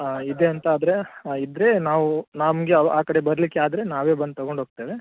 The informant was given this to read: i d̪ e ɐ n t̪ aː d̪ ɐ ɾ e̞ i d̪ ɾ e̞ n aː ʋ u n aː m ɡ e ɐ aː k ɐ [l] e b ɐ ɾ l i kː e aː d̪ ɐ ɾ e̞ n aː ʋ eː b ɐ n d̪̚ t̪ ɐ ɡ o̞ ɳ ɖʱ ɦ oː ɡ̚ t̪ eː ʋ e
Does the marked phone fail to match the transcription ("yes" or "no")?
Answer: yes